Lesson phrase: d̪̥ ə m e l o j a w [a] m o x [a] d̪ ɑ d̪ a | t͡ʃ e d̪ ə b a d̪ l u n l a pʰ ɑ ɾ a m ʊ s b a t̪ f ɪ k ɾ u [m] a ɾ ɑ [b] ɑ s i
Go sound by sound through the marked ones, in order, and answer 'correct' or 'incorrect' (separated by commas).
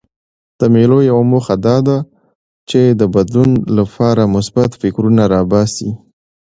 correct, correct, incorrect, correct